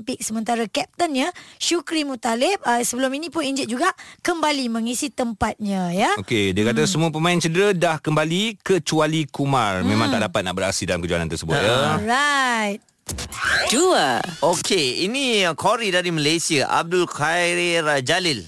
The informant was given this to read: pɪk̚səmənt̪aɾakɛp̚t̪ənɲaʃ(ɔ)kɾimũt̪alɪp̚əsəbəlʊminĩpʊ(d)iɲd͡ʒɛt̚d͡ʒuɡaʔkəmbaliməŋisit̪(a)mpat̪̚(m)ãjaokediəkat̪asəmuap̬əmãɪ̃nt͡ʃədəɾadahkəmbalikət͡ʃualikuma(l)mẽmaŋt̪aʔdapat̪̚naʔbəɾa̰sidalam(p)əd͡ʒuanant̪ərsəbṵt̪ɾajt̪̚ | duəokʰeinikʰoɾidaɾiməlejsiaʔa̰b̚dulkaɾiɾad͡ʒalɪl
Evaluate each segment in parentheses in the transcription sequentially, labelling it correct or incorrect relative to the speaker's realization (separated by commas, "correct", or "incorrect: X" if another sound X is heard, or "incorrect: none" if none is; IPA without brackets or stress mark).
incorrect: u, incorrect: n, incorrect: ə, incorrect: ɲ, incorrect: r, incorrect: k